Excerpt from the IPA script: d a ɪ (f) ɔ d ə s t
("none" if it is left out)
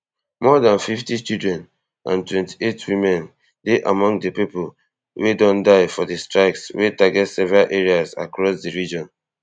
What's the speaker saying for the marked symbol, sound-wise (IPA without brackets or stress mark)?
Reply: f